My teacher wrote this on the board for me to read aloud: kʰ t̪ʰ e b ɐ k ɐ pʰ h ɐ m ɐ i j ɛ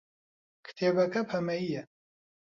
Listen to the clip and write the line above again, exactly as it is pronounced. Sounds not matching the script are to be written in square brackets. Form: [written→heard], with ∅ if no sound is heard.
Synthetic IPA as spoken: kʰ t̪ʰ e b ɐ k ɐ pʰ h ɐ m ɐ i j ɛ